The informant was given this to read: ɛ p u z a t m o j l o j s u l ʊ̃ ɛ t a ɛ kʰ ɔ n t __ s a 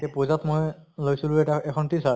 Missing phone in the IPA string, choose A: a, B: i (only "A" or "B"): B